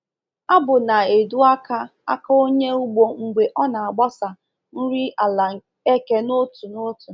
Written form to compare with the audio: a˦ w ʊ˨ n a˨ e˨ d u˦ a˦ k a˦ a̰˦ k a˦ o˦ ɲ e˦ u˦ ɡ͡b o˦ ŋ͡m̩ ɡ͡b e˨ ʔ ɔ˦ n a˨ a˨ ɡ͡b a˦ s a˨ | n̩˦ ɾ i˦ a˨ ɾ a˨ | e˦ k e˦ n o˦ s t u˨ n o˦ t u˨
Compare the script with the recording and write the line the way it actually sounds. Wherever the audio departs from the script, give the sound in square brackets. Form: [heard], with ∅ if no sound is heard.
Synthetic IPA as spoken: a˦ [b] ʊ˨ n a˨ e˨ d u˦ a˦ k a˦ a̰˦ k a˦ o˦ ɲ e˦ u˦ ɡ͡b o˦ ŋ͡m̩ ɡ͡b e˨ ʔ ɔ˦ n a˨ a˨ ɡ͡b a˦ s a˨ | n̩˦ ɾ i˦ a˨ [l] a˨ | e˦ k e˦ n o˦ [∅] t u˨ n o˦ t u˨